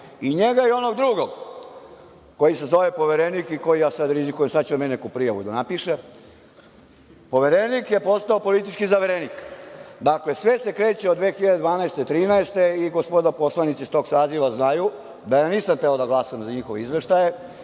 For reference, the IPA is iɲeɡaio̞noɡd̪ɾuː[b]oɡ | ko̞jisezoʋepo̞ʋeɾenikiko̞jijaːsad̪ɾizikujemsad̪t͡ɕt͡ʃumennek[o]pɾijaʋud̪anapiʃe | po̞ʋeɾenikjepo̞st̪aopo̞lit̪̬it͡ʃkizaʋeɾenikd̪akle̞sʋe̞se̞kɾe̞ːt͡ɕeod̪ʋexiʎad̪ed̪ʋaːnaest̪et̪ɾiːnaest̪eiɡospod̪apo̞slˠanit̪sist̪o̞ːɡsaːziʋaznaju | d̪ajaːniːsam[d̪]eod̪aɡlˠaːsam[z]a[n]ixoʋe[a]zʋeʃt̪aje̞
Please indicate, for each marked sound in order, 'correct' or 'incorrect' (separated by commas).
incorrect, incorrect, incorrect, correct, incorrect, incorrect